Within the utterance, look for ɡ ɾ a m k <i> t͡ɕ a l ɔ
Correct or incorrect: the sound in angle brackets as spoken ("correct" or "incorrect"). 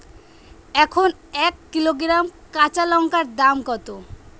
incorrect